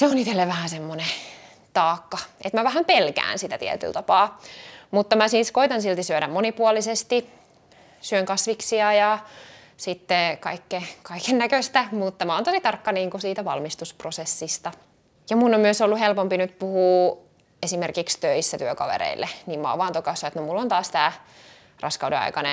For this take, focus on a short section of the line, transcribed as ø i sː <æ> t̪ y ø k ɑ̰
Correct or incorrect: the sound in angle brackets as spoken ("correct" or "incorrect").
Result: correct